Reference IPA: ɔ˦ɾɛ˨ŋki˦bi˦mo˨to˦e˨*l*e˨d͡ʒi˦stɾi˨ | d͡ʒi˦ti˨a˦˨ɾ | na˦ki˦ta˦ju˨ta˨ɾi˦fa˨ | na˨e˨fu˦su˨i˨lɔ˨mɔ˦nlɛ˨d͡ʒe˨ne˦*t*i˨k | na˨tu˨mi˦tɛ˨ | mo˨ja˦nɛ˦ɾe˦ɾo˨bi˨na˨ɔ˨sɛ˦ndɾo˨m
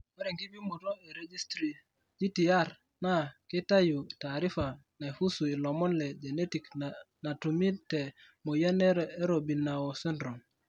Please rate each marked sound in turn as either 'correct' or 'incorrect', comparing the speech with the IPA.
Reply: incorrect, correct

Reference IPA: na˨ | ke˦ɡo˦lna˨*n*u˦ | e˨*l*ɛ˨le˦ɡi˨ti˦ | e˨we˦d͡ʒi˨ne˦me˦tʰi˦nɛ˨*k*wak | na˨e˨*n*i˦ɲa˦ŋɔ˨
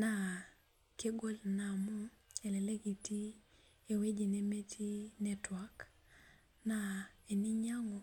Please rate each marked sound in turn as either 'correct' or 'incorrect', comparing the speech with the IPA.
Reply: incorrect, correct, incorrect, correct

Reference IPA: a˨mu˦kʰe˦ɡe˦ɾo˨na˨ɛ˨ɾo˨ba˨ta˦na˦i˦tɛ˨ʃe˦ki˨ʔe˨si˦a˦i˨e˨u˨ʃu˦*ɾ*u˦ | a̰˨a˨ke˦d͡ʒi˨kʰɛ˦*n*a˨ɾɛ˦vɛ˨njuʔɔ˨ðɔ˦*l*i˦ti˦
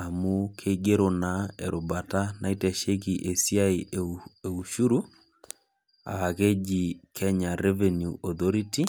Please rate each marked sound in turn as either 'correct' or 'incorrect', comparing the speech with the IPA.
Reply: correct, incorrect, incorrect

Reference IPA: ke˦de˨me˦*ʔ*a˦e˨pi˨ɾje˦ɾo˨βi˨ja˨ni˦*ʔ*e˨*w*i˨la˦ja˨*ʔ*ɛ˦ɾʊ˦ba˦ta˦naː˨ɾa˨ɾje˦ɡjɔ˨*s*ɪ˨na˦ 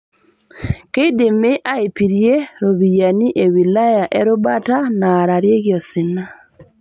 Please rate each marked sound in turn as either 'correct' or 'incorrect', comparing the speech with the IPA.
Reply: correct, correct, correct, correct, correct

